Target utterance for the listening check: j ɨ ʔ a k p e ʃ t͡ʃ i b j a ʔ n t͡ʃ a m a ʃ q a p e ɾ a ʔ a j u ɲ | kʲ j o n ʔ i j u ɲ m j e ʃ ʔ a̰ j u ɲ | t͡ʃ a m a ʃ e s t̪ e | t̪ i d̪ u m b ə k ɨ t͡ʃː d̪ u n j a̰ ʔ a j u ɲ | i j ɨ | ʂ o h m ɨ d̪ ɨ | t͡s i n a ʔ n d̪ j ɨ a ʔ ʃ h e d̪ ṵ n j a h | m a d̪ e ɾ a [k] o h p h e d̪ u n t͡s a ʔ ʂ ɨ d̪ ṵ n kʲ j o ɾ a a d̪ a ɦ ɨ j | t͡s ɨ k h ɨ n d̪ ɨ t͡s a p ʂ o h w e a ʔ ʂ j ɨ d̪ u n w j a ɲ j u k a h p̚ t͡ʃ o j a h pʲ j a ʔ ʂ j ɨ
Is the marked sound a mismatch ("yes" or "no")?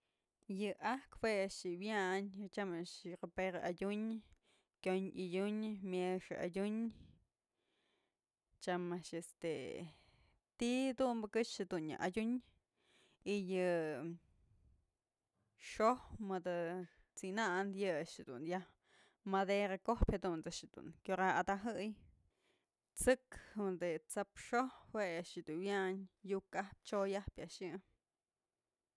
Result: no